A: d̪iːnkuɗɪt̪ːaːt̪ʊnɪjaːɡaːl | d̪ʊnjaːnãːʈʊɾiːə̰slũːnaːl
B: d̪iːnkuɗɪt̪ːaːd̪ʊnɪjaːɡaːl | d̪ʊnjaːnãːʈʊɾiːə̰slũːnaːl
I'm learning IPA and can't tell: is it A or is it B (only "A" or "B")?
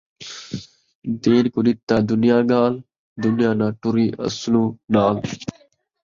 B